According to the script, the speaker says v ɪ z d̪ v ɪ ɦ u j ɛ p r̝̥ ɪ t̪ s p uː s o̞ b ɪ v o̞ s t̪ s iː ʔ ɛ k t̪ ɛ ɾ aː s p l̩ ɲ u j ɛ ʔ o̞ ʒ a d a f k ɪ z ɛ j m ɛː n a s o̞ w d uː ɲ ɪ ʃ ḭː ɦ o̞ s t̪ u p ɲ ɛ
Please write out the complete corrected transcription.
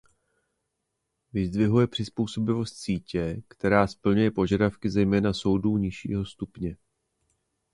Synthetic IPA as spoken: v ɪ z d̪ v ɪ ɦ u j ɛ p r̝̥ ɪ s p uː s o̞ b ɪ v o̞ s t̪ s iː c ɛ k t̪ ɛ ɾ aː s p l̩ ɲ u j ɛ p o̞ ʒ a d a f k ɪ z ɛ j m ɛː n a s o̞ w d uː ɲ ɪ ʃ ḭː ɦ o̞ s t̪ u p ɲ ɛ